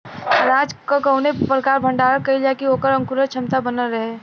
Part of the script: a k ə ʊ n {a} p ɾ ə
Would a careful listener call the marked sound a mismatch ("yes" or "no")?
yes